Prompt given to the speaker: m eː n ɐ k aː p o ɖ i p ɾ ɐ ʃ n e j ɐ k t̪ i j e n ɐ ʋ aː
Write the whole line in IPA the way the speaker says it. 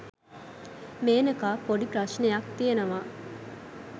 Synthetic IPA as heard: m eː n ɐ k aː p o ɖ i p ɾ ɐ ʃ n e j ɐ k t̪ i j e n ɐ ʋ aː

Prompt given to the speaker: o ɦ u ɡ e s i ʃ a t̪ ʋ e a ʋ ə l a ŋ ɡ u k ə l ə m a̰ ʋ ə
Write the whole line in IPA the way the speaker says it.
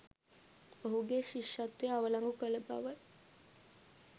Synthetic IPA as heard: o ɦ u ɡ e ʃ i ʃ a t̪ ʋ e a ʋ ə l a ŋ ɡ u k ə l ə b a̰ ʋ ə

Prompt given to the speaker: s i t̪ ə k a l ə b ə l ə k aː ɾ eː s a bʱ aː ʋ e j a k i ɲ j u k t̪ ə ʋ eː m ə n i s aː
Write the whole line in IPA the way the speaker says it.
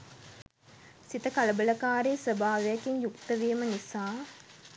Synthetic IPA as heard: s i t̪ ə k a l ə b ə l ə k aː ɾ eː s ə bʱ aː ʋ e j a k i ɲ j u k t̪ ə ʋ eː m ə n i s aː

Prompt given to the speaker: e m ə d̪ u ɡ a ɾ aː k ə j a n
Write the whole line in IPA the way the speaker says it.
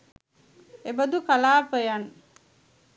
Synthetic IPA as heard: e b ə d̪ u k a l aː p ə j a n

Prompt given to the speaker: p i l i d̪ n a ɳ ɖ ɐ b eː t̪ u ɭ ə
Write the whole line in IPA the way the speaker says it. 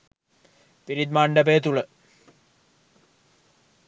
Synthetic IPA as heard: p i ɾ i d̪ m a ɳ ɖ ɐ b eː t̪ u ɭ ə

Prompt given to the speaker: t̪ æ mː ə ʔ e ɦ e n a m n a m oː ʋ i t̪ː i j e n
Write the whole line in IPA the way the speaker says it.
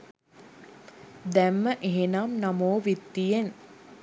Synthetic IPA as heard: d̪ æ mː ə ʔ e ɦ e n a m n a m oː ʋ i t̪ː i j e n

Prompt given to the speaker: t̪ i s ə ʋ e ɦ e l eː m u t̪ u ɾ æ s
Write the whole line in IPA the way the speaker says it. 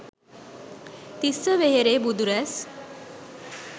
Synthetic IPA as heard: t̪ i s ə ʋ e ɦ e ɾ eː b u d̪ u ɾ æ s

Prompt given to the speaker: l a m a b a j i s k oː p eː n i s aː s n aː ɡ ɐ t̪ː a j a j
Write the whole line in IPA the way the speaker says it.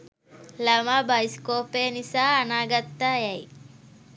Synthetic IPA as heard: l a m a b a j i s k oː p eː n i s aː n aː ɡ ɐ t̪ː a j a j

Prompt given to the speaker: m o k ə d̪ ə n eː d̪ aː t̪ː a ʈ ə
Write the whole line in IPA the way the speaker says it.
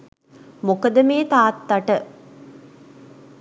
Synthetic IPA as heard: m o k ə d̪ ə m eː t̪ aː t̪ː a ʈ ə

